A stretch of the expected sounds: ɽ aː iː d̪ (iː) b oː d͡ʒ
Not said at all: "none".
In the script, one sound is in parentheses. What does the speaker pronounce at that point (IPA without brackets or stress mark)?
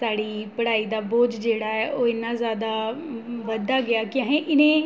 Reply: aː